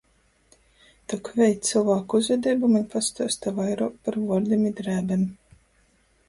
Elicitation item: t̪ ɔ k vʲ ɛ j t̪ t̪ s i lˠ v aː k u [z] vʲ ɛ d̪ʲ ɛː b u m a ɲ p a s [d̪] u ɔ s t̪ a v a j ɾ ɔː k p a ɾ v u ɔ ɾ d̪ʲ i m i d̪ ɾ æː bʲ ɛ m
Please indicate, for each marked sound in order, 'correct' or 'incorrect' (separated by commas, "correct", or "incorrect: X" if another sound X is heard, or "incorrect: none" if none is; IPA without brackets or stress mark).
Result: correct, incorrect: t̪